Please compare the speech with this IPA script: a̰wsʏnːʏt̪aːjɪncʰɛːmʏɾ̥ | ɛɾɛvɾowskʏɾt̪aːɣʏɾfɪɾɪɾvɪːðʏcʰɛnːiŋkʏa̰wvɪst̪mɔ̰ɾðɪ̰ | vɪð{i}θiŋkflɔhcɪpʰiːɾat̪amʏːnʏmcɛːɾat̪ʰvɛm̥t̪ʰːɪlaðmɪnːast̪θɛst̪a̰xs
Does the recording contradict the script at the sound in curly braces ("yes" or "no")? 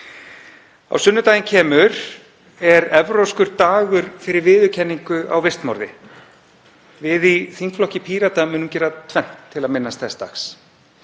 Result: no